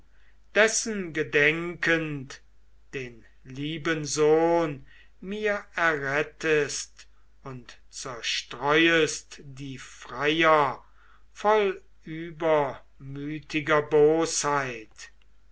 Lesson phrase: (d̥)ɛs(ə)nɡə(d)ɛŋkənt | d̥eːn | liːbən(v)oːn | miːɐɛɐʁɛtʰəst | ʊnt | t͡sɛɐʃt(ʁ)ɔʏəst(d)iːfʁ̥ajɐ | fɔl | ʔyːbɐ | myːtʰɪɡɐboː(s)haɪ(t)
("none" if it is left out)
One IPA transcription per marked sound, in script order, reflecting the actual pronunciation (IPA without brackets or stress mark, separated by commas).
d̥, ə, d, z, ʁ, d, s, t